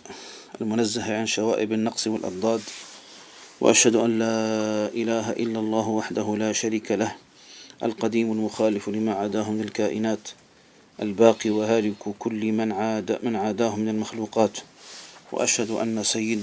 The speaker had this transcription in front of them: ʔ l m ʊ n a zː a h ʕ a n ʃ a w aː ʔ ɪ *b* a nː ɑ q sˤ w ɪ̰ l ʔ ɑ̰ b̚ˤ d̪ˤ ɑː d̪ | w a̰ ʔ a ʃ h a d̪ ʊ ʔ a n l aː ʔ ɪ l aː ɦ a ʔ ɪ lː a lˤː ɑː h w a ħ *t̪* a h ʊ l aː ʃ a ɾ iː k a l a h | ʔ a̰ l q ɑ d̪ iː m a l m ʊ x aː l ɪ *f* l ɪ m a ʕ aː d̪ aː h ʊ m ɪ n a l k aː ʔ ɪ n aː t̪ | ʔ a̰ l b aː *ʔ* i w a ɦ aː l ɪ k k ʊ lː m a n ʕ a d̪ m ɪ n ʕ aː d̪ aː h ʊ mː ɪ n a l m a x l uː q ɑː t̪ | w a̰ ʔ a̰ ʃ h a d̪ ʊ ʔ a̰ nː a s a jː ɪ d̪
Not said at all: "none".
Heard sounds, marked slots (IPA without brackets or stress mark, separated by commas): b, d̪, f, q